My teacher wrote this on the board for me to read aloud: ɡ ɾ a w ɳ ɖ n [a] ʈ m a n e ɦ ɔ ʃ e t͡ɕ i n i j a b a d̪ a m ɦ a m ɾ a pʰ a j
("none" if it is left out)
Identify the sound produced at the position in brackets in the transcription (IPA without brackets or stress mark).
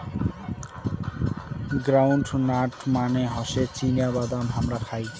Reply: a